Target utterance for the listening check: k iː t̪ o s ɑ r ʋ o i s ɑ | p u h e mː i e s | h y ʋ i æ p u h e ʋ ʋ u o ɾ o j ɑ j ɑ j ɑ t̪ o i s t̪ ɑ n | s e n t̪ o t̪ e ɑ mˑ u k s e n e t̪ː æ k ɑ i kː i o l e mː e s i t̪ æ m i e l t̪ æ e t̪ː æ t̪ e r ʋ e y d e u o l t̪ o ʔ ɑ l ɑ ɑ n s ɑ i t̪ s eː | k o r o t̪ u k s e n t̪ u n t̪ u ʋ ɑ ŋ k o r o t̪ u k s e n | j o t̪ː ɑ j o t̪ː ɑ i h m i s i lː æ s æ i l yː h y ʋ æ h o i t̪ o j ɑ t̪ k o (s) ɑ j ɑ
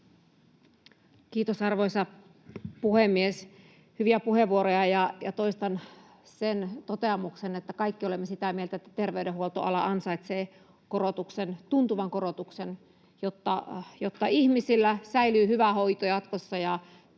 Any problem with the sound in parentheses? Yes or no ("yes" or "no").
yes